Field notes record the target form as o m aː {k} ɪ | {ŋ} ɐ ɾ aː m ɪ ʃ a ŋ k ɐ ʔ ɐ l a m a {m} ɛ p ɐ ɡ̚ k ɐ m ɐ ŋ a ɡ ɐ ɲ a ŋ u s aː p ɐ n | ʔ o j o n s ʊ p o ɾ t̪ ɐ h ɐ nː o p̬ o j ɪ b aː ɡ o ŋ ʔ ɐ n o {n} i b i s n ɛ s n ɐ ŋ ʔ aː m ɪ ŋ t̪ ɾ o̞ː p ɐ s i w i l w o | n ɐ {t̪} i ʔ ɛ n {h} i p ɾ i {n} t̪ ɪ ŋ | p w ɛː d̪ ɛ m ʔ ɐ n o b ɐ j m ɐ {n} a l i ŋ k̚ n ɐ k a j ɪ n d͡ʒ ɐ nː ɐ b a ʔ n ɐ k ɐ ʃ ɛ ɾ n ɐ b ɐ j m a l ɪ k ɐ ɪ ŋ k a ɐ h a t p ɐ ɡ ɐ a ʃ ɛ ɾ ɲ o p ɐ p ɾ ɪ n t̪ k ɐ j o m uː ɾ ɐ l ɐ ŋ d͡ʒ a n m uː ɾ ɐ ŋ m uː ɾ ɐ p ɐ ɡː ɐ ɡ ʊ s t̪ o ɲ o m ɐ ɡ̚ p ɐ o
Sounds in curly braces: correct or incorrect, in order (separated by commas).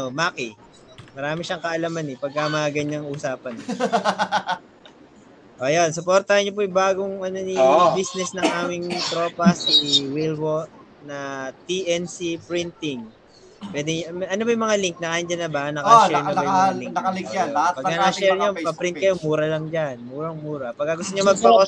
correct, incorrect, incorrect, correct, correct, incorrect, correct, incorrect